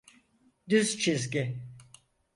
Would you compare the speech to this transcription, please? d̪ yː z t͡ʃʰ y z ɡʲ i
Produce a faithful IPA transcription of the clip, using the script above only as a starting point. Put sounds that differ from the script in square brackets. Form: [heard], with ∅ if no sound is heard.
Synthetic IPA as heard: d̪ [y] z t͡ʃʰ [i] z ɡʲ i